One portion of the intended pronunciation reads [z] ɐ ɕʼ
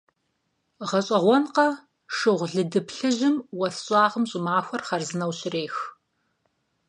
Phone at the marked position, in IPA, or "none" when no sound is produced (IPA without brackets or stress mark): ʁ